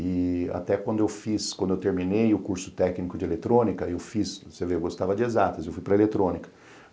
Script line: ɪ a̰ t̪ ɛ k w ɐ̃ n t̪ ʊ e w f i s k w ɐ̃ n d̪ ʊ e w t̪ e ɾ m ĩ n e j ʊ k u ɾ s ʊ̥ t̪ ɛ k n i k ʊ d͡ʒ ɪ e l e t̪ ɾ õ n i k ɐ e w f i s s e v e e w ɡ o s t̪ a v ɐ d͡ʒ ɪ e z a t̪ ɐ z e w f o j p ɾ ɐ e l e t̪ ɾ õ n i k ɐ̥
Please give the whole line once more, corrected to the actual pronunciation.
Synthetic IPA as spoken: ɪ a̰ t̪ ɛ k w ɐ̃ n d̪ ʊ e w f i s k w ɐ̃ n d̪ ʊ e w t̪ e ɾ m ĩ n e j ʊ k u ɾ s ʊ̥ t̪ ɛ k n i k ʊ d͡ʒ ɪ e l e t̪ ɾ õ n i k ɐ e w f i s s e v e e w ɡ o s t̪ a v ɐ d͡ʒ ɪ e z a t̪ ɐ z e w f u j p ɾ ɐ e l e t̪ ɾ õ n i k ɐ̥